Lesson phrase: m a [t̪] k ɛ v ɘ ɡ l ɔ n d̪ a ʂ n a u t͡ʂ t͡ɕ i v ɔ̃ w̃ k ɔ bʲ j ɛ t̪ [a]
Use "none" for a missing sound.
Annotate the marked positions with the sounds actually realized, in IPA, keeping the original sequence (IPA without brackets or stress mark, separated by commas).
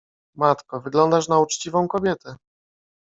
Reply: t̪, ɛ